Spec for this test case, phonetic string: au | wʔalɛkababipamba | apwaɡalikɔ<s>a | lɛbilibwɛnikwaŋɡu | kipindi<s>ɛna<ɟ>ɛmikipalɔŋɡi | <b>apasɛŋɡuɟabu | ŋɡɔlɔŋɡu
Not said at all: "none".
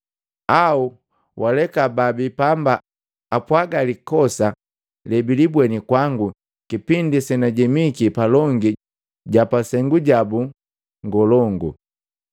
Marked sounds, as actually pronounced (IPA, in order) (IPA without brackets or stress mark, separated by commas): s, s, ɟ, ɟ